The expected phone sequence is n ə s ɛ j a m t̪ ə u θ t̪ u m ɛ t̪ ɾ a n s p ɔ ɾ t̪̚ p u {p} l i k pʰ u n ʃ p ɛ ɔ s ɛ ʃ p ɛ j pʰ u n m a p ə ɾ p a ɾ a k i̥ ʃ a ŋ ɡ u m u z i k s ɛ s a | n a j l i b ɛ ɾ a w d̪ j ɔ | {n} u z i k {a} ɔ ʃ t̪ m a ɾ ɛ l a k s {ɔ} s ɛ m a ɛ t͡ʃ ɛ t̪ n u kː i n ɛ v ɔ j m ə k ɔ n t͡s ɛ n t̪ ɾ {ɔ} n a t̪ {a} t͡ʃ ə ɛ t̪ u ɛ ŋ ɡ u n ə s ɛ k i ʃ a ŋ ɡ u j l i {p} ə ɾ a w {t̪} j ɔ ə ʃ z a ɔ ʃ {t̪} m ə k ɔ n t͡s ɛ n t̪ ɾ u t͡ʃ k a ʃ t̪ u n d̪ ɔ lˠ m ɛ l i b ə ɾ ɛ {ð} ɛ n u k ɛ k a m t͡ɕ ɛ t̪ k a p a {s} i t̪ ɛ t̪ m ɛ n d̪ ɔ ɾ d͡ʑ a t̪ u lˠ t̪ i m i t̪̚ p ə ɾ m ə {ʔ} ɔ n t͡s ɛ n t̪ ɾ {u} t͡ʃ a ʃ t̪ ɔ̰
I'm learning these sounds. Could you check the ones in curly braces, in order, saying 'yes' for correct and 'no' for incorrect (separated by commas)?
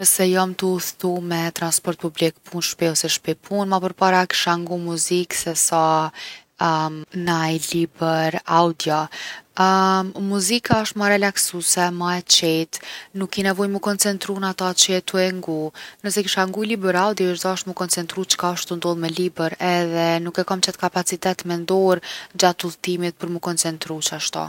no, no, yes, no, no, yes, no, no, yes, yes, no, no, yes